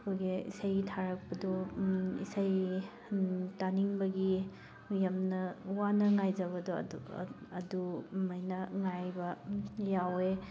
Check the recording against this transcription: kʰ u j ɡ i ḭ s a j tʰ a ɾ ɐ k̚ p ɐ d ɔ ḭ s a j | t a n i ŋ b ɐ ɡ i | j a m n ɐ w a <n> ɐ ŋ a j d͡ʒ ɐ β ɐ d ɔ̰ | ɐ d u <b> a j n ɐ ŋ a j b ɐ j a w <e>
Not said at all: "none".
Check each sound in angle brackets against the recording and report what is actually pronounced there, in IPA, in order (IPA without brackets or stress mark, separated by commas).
n, m, e